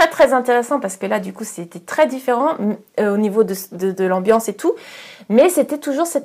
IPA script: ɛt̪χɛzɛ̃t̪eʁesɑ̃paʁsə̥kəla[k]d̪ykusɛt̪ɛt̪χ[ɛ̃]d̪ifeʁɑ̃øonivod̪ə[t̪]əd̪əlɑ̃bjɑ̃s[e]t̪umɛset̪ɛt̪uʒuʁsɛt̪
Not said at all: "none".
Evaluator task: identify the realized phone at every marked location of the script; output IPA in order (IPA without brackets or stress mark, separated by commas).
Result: none, ɛ, d̪, e